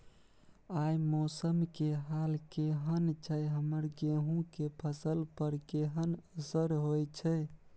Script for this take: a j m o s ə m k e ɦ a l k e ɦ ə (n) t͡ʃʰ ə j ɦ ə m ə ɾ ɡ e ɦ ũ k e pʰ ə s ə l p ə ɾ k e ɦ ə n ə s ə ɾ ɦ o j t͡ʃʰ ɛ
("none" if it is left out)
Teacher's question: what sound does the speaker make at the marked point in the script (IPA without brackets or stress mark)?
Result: n